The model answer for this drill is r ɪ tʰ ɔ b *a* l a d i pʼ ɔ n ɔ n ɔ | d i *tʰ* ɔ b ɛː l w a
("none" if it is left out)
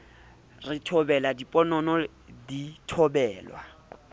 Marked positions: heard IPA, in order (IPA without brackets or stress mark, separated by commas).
ɛ, tʰ